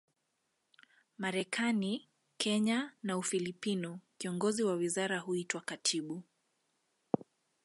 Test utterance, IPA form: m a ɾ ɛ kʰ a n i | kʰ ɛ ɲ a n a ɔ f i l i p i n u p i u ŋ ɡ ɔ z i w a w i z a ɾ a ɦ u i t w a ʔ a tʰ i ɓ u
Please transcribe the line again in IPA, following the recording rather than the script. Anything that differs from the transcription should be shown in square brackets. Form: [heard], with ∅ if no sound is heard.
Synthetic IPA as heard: m a ɾ ɛ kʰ a n i | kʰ ɛ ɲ a n a [u] f i l i p i n u [k] i [ɔ] ŋ ɡ ɔ z i w a w i z a ɾ a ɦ u i t w a [k] a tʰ i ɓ u